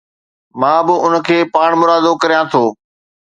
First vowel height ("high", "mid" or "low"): low